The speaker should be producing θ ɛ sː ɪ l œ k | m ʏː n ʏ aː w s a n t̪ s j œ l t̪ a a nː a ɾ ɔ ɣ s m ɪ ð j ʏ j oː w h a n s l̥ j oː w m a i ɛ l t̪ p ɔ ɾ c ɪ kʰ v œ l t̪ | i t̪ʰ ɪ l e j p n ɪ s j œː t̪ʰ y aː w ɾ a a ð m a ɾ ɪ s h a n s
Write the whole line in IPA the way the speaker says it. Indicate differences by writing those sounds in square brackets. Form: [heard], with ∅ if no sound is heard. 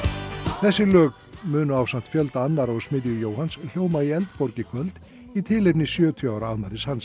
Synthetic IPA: θ ɛ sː ɪ l [œː] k | m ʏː n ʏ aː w s a n t̪ [f] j œ l t̪ a a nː a ɾ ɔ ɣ s m ɪ ð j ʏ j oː w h a n s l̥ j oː w m a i ɛ l t̪ p ɔ ɾ c ɪ kʰ v œ l t̪ | i t̪ʰ ɪ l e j p n ɪ s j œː t̪ʰ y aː w ɾ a a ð m a ɾ ɪ s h a n s